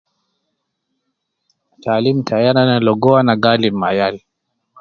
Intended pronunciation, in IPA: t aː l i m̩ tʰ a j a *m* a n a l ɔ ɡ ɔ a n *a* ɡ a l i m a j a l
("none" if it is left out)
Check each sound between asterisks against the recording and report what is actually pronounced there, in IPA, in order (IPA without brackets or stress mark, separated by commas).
n, a